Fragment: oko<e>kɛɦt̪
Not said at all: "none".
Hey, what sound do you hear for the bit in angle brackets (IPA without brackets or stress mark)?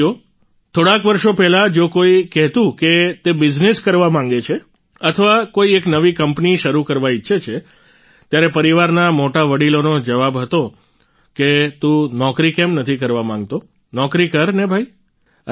i